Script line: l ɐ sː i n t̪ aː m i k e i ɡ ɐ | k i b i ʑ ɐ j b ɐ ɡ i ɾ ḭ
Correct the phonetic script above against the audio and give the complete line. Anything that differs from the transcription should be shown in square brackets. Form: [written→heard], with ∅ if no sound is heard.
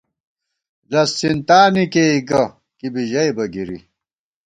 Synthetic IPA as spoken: l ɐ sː i n t̪ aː [m→n] i k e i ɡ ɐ | k i b i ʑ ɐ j b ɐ ɡ i ɾ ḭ

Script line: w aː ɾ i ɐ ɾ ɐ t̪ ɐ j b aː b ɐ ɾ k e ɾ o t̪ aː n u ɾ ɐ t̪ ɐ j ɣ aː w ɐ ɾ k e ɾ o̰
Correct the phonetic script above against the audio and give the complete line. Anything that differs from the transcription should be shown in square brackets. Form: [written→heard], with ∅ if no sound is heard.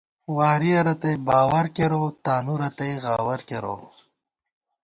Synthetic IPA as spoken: w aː ɾ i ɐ ɾ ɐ t̪ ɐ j b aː [b→w] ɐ ɾ k e ɾ o t̪ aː n u ɾ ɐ t̪ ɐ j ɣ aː w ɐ ɾ k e ɾ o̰

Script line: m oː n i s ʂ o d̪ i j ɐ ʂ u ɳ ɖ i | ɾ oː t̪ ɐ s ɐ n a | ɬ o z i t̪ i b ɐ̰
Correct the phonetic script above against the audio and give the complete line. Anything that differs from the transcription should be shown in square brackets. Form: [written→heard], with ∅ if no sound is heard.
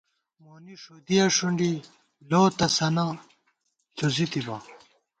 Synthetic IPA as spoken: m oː n i [s→∅] ʂ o d̪ i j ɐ ʂ u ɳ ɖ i | [ɾ→l] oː t̪ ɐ s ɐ n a | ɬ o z i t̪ i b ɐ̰

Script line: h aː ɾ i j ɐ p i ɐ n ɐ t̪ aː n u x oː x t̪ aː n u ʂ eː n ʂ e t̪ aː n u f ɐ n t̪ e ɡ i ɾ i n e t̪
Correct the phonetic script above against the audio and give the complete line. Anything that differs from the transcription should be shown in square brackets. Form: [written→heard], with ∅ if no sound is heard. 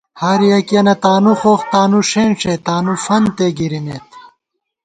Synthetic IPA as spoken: h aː ɾ i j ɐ [p→k] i ɐ n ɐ t̪ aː n u x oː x t̪ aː n u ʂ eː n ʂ e t̪ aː n u f ɐ n t̪ e ɡ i ɾ i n e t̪

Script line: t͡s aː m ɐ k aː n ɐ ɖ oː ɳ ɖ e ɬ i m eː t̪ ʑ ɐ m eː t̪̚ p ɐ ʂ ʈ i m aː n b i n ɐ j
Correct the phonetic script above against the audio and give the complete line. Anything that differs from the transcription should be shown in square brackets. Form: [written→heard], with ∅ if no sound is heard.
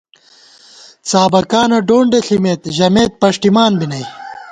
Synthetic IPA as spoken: t͡s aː [m→b] ɐ k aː n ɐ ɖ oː ɳ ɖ e ɬ i m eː t̪ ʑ ɐ m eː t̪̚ p ɐ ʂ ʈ i m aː n b i n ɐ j

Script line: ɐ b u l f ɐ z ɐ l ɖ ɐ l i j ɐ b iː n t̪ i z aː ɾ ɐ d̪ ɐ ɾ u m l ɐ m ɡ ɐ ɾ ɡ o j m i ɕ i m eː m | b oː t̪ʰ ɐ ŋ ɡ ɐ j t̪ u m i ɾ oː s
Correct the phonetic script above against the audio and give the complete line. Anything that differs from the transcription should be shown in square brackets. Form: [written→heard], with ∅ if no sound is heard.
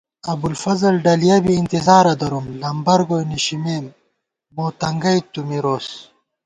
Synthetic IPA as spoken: ɐ b u l f ɐ z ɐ l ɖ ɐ l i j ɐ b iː n t̪ i z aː ɾ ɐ d̪ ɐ ɾ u m l ɐ m [ɡ→b] ɐ ɾ ɡ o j [m→n] i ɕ i m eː m | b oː [t̪ʰ→t̪] ɐ ŋ ɡ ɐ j t̪ u m i ɾ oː s

